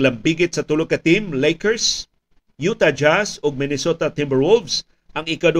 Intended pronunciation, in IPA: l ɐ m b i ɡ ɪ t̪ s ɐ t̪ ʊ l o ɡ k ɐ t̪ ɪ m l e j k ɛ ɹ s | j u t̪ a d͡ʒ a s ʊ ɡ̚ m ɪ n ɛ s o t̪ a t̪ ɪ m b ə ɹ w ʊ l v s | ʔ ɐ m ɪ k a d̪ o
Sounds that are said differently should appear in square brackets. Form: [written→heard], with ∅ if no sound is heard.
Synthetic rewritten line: l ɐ m b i ɡ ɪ t̪ s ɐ t̪ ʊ l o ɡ k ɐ t̪ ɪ m l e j k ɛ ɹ s | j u t̪ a d͡ʒ a s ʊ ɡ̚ m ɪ n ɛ s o t̪ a t̪ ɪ m b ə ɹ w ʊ l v s | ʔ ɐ [m→ŋ] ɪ k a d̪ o